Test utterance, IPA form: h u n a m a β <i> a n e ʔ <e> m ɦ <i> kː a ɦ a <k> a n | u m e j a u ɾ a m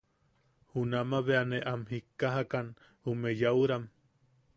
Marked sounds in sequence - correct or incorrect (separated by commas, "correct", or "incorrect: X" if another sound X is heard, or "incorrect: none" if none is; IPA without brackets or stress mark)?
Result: incorrect: e, incorrect: a, correct, correct